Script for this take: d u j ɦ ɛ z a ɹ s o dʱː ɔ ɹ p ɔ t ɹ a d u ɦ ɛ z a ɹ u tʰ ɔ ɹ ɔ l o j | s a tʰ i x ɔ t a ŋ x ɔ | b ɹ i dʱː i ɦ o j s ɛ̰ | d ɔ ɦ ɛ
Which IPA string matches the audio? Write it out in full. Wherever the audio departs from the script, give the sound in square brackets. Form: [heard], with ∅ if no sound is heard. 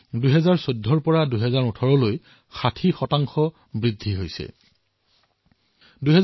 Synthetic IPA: d u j ɦ ɛ z a ɹ s o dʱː ɔ ɹ p ɔ [∅] ɹ a d u ɦ ɛ z a ɹ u tʰ ɔ ɹ ɔ l o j | [x] a tʰ i x ɔ t a ŋ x ɔ | b ɹ i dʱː i ɦ o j s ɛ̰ | d [u] ɦ ɛ